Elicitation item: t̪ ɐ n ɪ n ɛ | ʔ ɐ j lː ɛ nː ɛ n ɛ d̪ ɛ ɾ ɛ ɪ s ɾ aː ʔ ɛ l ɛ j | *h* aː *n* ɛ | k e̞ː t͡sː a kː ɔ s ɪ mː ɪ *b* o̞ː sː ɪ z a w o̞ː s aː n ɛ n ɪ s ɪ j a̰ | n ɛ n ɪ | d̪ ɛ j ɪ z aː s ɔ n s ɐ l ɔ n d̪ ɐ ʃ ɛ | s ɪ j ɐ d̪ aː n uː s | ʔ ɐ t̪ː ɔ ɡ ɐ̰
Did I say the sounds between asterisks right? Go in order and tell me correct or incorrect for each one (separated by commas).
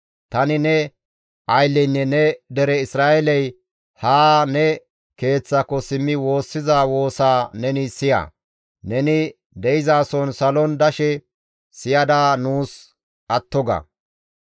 correct, correct, incorrect